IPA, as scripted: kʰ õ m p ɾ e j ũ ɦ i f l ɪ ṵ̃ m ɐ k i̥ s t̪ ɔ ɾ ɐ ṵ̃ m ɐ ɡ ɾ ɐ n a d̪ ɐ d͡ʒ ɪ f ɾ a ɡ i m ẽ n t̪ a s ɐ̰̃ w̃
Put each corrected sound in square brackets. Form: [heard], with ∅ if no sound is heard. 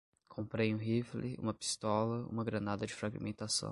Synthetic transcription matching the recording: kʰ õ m p ɾ e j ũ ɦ i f l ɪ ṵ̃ m ɐ [p] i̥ s t̪ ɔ [l] ɐ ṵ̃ m ɐ ɡ ɾ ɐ n a d̪ ɐ d͡ʒ ɪ f ɾ a ɡ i m ẽ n t̪ a s ɐ̰̃ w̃